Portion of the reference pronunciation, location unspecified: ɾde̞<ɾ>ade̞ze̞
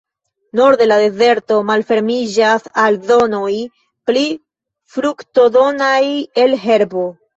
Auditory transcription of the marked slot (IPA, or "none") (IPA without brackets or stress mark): l